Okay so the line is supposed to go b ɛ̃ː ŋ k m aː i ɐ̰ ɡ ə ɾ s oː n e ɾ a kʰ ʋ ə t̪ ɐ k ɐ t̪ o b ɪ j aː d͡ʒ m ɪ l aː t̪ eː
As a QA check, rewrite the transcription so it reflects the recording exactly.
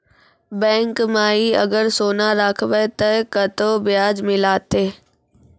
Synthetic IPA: b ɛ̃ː ŋ k m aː i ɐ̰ ɡ ə ɾ s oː n a ɾ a kʰ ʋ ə t̪ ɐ k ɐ t̪ o b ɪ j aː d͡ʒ m ɪ l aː t̪ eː